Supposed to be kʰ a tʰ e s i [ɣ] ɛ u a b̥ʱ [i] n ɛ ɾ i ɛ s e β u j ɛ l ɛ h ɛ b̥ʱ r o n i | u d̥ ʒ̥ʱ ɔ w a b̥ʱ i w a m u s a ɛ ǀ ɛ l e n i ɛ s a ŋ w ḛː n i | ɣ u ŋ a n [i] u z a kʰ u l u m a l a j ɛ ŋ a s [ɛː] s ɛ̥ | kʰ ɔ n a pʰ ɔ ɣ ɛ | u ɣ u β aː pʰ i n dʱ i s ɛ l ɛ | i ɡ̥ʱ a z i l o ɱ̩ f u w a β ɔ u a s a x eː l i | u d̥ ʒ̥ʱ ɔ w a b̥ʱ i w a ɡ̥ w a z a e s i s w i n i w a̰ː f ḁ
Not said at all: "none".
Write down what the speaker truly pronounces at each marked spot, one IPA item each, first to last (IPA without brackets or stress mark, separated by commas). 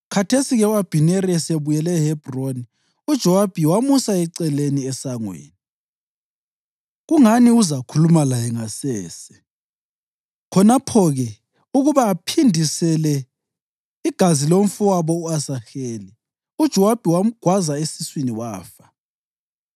ɣ, i, i, ɛː